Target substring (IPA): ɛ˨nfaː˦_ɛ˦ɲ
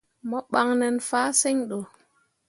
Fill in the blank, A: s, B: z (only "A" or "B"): A